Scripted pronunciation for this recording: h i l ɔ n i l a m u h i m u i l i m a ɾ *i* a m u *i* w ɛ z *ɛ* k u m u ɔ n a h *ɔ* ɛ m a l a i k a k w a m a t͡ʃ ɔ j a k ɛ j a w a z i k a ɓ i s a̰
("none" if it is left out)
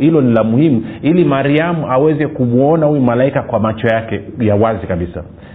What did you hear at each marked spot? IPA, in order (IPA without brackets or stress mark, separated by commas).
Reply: i, a, ɛ, u